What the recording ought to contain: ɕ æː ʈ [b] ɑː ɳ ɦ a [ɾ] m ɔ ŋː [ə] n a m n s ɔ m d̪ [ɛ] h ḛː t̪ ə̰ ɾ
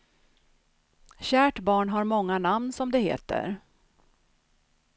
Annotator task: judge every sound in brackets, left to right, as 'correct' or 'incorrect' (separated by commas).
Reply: correct, correct, incorrect, correct